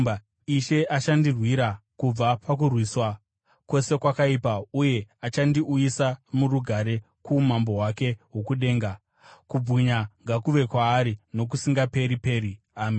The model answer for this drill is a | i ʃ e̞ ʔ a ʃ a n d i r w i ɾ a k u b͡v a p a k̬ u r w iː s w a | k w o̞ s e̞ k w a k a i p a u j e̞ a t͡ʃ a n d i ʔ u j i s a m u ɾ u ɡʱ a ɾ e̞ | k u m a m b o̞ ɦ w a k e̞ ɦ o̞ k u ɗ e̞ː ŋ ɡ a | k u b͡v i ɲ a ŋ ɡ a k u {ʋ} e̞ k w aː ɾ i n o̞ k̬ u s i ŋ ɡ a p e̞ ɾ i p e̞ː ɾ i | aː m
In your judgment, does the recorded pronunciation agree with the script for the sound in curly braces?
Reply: yes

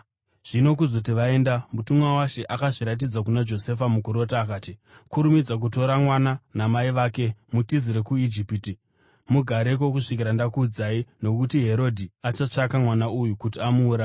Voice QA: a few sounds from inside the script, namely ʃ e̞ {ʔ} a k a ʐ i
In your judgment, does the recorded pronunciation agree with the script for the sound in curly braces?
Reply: yes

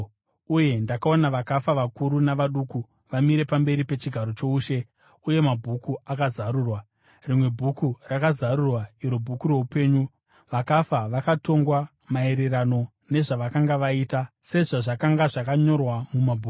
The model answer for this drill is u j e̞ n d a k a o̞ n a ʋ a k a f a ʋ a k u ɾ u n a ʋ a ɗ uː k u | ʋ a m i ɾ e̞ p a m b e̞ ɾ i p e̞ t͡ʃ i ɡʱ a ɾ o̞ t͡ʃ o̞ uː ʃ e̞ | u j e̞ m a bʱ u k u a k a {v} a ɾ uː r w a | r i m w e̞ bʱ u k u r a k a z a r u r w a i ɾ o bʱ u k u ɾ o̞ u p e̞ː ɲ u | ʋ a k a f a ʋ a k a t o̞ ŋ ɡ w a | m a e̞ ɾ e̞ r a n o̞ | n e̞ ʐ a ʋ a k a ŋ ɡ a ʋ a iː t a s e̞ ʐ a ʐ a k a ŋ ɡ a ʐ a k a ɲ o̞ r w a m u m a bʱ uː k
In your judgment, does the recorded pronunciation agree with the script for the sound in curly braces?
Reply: no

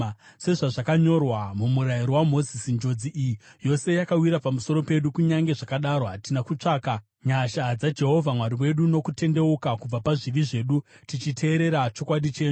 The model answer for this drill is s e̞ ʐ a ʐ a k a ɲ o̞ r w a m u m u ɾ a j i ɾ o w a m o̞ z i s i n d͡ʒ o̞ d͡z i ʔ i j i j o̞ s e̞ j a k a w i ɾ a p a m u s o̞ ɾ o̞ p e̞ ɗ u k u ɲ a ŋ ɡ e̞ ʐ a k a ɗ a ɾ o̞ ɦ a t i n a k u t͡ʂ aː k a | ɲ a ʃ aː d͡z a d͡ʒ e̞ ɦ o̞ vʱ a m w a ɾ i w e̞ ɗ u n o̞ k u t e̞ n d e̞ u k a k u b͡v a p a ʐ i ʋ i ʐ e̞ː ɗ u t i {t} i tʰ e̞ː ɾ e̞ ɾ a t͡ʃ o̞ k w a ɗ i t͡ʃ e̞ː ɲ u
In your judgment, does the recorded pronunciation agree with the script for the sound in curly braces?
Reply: no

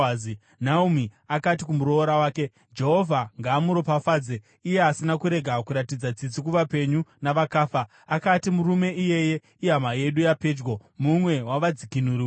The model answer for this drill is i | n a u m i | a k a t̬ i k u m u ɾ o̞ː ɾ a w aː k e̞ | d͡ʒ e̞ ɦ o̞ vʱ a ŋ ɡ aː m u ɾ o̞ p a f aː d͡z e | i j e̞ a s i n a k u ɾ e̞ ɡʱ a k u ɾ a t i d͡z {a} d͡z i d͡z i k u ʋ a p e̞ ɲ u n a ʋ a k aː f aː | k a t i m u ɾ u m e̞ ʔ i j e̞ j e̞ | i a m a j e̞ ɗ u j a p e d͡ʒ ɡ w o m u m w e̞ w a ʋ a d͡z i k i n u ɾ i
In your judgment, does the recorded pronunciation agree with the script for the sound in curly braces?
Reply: yes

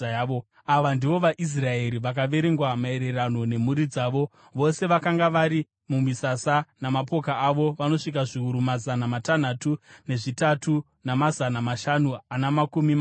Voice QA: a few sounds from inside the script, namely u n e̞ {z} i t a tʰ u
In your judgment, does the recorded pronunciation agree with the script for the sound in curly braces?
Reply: no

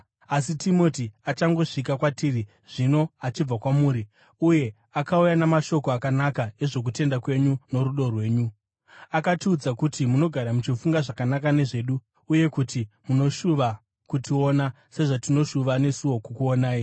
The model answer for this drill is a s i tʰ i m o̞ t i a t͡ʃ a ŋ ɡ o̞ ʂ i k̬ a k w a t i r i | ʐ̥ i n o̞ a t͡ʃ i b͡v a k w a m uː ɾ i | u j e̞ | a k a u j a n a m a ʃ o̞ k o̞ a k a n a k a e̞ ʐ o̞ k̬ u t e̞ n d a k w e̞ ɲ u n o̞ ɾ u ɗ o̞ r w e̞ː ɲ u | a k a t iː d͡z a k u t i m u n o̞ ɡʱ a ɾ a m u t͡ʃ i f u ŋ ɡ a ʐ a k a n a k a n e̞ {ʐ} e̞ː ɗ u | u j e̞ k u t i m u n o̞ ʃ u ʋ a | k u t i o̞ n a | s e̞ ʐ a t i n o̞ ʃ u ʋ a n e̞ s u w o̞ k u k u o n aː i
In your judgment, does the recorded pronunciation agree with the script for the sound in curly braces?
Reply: yes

